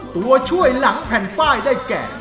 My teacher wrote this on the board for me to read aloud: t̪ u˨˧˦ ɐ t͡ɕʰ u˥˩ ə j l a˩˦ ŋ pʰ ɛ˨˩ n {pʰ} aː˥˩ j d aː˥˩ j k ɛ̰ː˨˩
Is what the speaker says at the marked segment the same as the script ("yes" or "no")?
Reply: no